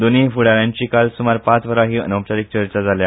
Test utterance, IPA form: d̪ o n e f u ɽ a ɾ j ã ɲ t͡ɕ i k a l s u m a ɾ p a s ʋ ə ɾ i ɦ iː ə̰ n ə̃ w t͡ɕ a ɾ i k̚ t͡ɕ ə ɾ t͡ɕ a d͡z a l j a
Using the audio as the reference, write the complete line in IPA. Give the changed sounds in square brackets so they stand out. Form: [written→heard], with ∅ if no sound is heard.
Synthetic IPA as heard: d̪ o n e f u ɽ a ɾ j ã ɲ t͡ɕ i k a l s u m a ɾ p a [s→t͡s] ʋ ə ɾ [i→a] ɦ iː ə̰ n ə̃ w t͡ɕ a ɾ i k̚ t͡ɕ ə ɾ t͡ɕ a d͡z a l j a